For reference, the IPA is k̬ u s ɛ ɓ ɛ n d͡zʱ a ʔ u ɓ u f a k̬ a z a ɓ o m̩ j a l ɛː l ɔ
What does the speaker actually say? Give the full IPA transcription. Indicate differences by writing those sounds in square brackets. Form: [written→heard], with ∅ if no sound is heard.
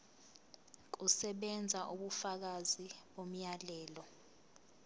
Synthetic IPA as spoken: k̬ u s ɛ ɓ ɛ n d͡zʱ a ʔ u ɓ u f a k̬ a z [a→i] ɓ o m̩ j a l ɛː l ɔ

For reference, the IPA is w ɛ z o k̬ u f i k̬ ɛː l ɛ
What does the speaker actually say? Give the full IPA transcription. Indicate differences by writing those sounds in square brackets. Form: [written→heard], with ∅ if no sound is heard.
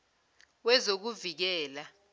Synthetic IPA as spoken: w ɛ z o k̬ u [f→v] i k̬ ɛː l [ɛ→a]

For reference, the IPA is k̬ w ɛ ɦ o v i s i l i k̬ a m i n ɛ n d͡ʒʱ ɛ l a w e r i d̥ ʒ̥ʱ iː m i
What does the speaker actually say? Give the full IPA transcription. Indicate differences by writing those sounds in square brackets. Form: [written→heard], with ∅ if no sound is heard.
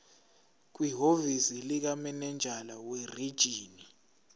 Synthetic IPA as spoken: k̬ w [ɛ→i] ɦ o v i s i l i k̬ a m [i→ɛ] n ɛ n d͡ʒʱ [ɛ→a] l a w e r i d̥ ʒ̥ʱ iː [m→n] i

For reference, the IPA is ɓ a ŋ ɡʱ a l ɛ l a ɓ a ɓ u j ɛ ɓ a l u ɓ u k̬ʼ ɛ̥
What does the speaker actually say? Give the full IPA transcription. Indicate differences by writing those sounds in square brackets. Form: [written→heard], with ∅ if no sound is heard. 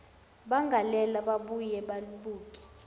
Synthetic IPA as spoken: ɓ a ŋ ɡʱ a l ɛ l a ɓ a ɓ u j ɛ ɓ a l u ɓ [u→uː] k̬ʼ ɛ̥

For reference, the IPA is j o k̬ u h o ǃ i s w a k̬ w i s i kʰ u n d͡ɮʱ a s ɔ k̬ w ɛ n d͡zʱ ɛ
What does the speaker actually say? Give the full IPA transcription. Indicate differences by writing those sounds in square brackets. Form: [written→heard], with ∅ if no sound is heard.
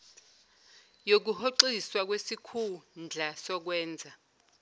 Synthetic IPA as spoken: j o k̬ u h o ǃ i s w a k̬ w [i→e] s i kʰ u n d͡ɮʱ a s ɔ k̬ w [ɛ→ɛː] n d͡zʱ [ɛ→a]

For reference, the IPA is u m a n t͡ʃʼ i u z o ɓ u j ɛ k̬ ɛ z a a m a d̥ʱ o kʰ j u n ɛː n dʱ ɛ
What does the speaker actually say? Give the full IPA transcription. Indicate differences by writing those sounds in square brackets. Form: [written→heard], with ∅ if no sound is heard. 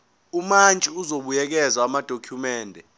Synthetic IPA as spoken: u m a n t͡ʃʼ i u z o ɓ u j ɛ k̬ ɛ z a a m a d̥ʱ o kʰ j u [n→m] ɛː n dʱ ɛ

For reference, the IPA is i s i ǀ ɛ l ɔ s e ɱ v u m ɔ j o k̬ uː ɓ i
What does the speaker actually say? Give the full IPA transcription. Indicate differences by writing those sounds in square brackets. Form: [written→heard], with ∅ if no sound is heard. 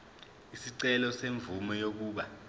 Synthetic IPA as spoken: i s i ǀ ɛ l ɔ s e ɱ v u m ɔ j o k̬ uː ɓ [i→a]

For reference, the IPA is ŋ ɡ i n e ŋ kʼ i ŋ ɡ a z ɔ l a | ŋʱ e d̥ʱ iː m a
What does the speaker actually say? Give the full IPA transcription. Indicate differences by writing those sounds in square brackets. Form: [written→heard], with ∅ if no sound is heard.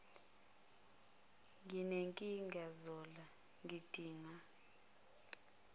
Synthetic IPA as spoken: ŋ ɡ i n e ŋ kʼ i ŋ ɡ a z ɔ l a | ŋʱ [e→i] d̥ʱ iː [m→ŋ] a

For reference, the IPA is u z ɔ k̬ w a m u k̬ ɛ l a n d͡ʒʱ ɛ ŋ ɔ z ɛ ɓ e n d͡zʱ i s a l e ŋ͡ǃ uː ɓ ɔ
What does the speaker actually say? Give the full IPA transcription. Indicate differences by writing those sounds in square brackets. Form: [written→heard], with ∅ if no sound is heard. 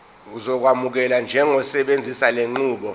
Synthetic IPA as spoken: u z ɔ k̬ w a m u k̬ ɛ l a n d͡ʒʱ ɛ ŋ ɔ [z→s] ɛ ɓ e n d͡zʱ i s a l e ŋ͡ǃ uː ɓ ɔ

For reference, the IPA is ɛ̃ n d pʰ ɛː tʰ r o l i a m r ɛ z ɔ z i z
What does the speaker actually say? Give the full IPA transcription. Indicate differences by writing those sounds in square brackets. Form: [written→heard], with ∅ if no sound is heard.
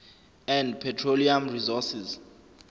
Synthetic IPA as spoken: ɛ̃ n d pʰ [ɛː→ɛ] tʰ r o l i a m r [ɛ→i] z ɔ [z→s] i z

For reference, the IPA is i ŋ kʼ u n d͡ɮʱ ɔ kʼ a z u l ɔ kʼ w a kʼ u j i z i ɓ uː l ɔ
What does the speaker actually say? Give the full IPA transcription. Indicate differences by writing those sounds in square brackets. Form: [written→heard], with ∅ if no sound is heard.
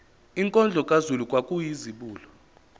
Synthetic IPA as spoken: i ŋ kʼ [u→ɔ] n d͡ɮʱ ɔ kʼ a z u l [ɔ→u] kʼ w a kʼ u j i z i ɓ uː l ɔ

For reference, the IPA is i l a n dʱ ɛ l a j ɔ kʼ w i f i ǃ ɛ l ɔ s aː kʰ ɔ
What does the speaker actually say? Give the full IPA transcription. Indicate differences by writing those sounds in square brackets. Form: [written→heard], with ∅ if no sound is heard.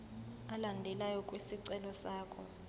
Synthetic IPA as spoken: [i→a] l a n dʱ ɛ l a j ɔ kʼ w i [f→s] i [ǃ→ǀ] ɛ l ɔ s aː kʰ ɔ

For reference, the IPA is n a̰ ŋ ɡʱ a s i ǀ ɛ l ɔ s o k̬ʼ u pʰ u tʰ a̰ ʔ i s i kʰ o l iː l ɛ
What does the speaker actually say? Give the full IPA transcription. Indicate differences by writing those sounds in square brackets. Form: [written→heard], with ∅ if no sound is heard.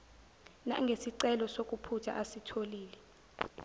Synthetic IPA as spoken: n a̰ ŋ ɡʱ [a→e] s i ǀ ɛ l ɔ s o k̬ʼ u pʰ u tʰ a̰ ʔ [i→a] s i [kʰ→tʰ] o l iː l ɛ

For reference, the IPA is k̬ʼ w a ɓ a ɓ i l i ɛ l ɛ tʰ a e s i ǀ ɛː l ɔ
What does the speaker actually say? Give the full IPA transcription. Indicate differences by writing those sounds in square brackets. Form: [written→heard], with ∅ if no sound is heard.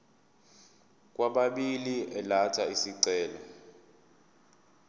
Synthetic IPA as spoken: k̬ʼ w a ɓ a ɓ i l i ɛ l [ɛ→a] tʰ a [e→i] s i ǀ ɛː l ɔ

